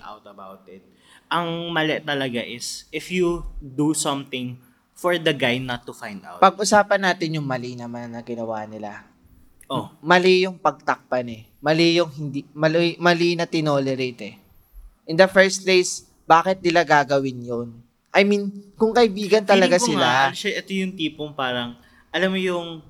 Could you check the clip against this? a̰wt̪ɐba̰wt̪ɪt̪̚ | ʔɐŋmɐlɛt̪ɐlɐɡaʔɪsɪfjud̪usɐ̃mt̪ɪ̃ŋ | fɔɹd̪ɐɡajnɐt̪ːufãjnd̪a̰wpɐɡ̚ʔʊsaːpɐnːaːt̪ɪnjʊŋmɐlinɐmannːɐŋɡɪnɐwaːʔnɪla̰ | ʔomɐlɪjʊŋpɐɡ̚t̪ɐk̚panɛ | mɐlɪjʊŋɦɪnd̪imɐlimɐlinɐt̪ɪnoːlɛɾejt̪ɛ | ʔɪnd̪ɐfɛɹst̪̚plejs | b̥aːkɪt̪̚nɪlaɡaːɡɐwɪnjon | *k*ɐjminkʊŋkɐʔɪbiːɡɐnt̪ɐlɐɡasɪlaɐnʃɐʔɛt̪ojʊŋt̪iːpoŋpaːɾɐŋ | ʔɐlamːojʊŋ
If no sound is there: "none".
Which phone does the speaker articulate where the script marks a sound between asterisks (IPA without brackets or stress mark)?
ʔ